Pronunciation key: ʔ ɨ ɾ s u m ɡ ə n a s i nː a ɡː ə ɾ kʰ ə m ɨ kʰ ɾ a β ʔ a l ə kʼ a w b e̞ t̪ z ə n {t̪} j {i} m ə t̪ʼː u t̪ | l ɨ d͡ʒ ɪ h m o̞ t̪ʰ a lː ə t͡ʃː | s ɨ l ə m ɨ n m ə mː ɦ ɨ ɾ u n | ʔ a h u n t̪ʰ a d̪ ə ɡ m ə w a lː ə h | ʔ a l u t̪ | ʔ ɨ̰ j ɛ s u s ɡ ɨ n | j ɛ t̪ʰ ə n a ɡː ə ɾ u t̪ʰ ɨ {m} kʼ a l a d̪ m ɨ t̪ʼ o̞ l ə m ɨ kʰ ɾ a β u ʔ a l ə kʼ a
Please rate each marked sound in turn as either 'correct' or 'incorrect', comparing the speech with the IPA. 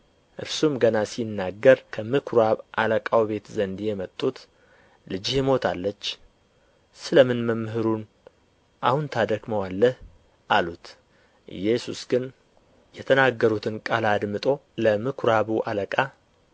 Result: incorrect: d̪, incorrect: ɛ, incorrect: n

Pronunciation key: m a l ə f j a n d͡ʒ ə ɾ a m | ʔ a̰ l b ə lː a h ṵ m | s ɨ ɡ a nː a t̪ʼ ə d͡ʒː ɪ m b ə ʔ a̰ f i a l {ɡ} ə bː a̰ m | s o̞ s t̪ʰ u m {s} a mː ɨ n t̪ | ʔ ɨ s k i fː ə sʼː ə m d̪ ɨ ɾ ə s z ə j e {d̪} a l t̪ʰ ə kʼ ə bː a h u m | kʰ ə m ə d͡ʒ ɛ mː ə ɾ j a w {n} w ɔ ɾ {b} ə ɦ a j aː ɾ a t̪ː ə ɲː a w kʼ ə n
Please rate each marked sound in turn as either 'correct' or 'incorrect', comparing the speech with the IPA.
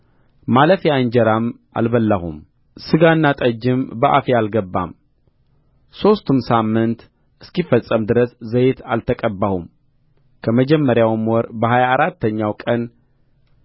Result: correct, correct, incorrect: t̪, incorrect: m, correct

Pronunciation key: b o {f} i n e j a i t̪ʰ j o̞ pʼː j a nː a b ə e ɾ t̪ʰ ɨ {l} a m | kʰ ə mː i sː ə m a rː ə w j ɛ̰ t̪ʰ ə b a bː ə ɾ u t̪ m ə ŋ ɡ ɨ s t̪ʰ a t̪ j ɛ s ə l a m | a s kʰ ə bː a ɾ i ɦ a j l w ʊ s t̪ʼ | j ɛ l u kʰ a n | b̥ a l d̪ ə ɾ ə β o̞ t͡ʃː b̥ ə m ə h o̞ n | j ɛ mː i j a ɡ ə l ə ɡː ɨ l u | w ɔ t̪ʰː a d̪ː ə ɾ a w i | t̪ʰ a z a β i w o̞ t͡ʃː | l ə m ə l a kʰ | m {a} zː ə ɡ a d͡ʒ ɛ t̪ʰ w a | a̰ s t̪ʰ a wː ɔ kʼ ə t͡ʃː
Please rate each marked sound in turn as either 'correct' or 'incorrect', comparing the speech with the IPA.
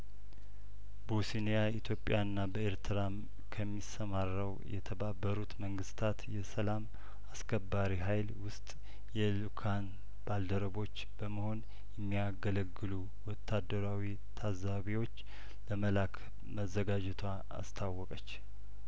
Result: incorrect: s, incorrect: ɾ, incorrect: ə

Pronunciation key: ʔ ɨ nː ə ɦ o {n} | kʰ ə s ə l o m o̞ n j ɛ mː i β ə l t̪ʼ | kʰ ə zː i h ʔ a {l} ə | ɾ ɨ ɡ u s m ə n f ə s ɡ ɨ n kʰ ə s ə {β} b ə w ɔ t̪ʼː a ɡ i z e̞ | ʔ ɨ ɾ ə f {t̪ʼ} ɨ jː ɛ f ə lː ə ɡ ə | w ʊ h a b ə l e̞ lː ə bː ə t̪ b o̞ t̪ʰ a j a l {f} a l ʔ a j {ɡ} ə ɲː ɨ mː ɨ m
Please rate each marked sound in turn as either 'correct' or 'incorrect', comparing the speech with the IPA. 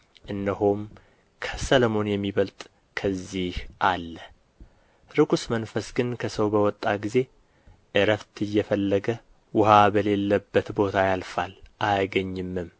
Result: incorrect: m, incorrect: lː, incorrect: w, incorrect: t̪, correct, correct

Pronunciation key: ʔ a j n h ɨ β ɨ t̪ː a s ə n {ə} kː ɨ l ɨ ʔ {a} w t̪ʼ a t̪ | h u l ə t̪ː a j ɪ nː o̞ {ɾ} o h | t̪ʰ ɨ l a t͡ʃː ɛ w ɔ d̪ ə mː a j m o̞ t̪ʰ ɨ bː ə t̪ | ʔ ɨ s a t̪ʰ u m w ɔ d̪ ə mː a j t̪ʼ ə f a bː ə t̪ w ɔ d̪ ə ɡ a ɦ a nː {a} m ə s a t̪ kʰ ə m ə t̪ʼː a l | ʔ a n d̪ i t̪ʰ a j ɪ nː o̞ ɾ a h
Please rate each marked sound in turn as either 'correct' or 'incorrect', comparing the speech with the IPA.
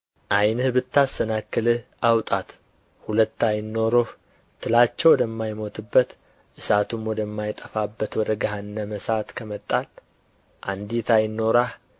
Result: incorrect: a, correct, correct, incorrect: ə

